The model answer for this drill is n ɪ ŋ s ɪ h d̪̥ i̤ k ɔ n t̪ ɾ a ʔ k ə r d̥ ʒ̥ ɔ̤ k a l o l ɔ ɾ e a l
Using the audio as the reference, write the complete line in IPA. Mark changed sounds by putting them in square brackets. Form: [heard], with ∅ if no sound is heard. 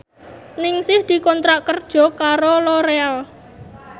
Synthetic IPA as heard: n ɪ ŋ s ɪ h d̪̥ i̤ k ɔ n t̪ ɾ a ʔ k ə r d̥ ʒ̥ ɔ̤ k a [ɾ] o l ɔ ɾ e a l